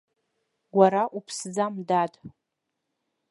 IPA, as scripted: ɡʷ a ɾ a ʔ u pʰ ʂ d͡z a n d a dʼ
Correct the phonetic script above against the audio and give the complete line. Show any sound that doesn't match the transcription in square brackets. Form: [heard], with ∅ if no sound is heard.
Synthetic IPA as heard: ɡʷ a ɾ a ʔ u pʰ [s] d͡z a [m] d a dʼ